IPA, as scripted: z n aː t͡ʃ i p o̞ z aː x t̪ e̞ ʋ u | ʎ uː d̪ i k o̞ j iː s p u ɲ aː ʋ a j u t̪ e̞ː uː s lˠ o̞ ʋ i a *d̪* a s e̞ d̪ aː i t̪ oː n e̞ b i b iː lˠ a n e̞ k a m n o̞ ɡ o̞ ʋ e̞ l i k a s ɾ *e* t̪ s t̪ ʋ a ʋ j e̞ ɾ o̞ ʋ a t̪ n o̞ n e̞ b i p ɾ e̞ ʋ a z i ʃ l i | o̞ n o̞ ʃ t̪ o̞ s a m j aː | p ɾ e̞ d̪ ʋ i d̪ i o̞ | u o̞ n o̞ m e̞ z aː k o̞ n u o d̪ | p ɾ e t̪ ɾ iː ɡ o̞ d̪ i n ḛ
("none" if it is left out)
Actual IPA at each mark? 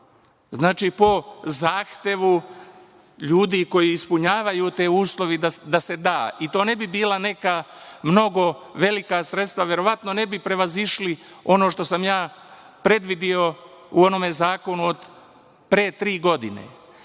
d̪, e

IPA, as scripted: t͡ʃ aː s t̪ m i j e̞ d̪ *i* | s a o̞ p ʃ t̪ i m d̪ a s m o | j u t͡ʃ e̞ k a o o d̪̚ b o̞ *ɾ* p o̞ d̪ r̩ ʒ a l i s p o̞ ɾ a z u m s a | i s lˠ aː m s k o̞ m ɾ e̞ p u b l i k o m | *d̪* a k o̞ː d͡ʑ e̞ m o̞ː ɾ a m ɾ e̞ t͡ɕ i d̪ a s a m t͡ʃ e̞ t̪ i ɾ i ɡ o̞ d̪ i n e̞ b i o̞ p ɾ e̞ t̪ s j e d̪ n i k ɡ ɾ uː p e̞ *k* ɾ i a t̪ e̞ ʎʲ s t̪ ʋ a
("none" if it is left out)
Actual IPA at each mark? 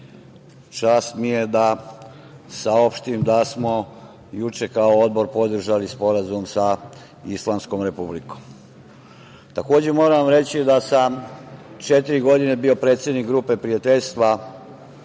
a, ɾ, t̪, p

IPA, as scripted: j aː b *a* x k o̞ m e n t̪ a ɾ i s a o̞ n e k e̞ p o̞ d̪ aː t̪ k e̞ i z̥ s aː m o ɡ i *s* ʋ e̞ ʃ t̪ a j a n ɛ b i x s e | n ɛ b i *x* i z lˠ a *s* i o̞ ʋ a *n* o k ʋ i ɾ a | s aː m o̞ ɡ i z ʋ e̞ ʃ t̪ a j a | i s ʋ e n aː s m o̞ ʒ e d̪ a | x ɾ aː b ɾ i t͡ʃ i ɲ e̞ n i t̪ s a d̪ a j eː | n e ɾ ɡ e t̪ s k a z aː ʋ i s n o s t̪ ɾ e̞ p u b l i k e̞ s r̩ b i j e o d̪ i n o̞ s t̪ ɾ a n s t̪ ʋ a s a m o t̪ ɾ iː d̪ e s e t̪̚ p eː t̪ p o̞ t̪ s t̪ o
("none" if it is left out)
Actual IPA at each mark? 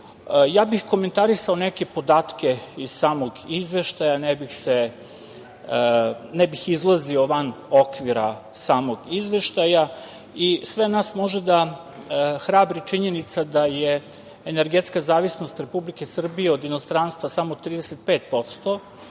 i, z, x, z, n

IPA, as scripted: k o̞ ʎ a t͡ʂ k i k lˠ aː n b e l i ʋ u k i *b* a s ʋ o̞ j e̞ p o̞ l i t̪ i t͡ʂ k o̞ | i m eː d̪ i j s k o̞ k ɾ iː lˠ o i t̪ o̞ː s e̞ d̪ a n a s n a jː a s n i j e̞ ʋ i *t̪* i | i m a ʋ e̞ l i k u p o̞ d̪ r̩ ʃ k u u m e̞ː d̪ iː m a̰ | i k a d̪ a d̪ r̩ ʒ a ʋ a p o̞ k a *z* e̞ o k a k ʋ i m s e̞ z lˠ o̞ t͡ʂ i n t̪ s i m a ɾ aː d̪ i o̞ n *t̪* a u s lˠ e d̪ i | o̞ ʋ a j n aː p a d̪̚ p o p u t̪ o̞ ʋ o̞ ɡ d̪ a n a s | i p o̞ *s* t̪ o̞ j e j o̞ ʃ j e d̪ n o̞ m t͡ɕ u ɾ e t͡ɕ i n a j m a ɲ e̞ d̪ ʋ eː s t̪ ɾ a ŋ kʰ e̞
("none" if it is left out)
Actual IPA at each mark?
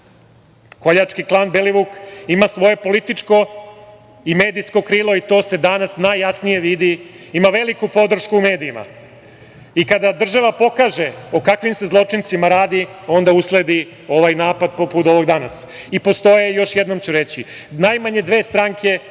m, d̪, ʒ, d̪, s

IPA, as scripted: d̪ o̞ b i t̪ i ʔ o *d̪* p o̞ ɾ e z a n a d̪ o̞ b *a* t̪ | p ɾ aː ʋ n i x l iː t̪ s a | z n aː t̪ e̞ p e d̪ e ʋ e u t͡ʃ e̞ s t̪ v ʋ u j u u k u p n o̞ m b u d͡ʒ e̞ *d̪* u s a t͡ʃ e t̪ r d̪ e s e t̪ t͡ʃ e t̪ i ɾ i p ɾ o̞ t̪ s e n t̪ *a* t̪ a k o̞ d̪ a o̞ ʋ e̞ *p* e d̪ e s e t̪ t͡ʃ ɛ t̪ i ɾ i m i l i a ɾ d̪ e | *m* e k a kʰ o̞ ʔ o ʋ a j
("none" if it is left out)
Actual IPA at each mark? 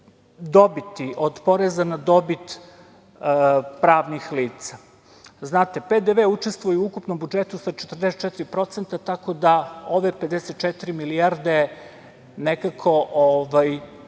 d̪, i, t̪, a, p, n

